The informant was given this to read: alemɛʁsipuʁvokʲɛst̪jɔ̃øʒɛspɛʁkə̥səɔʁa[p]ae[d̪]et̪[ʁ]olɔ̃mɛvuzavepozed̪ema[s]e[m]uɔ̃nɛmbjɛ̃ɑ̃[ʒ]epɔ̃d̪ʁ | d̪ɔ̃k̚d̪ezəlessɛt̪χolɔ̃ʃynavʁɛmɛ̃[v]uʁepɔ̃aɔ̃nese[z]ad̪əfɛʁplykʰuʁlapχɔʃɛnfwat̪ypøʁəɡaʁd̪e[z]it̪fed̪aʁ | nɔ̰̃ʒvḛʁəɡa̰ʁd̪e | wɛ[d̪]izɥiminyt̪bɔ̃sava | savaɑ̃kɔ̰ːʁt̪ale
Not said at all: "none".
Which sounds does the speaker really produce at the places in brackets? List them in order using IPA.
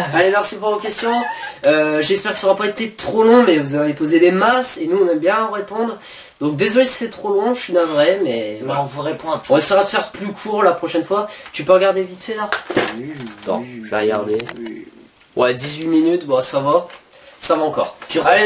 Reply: p, t̪, χ, s, n, ʁ, v, ʁ, v, d̪

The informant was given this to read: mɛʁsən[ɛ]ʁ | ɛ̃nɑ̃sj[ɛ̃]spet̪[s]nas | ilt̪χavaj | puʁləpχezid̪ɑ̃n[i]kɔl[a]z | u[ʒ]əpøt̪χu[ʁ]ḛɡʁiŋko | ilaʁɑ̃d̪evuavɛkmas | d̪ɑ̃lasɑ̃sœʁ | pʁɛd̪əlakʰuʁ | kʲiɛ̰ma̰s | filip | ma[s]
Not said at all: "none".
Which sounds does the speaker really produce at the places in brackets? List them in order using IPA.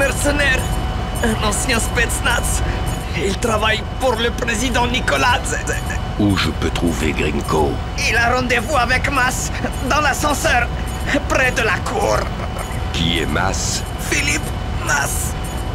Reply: ɛ, ɛ̃, s, i, a, ʒ, v, s

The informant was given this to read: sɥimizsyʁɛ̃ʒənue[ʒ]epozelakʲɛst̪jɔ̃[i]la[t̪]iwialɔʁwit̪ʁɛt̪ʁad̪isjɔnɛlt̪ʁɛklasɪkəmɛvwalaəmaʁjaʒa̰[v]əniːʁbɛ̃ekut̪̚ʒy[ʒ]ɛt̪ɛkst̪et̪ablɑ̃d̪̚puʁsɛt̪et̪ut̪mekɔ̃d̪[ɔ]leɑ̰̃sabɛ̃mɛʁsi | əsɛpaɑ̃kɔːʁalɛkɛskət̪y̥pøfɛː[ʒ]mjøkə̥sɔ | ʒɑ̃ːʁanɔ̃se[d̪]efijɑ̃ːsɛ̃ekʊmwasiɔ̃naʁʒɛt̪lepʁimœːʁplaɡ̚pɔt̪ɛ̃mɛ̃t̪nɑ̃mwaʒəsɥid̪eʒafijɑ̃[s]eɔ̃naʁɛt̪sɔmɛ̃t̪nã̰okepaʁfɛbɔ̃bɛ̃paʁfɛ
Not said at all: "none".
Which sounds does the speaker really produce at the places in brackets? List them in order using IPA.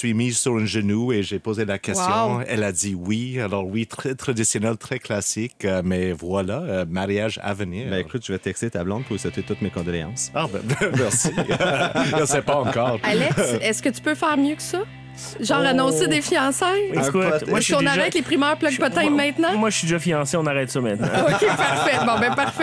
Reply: ʒ, ɛ, d̪, v, v, ɔ, ʁ, d̪, s

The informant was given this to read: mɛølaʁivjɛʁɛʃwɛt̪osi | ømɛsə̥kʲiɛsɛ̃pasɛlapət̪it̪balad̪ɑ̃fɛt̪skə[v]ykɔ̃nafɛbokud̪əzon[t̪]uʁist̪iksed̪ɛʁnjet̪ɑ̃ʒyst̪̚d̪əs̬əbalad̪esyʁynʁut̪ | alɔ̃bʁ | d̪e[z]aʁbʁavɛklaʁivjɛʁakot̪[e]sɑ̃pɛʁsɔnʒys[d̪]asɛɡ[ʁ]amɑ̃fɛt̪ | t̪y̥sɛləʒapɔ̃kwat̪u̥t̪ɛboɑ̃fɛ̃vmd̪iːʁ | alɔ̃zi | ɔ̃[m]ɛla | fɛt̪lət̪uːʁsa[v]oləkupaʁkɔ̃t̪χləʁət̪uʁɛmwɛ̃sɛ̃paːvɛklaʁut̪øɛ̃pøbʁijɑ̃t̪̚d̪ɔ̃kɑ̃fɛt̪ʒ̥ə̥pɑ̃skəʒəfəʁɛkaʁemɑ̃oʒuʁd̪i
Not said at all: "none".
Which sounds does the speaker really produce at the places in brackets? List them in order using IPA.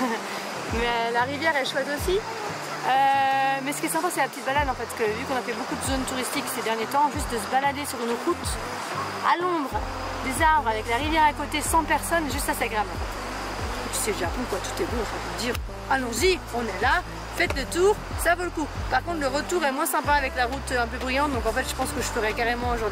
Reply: v, t̪, z, e, t̪, ʁ, n, v

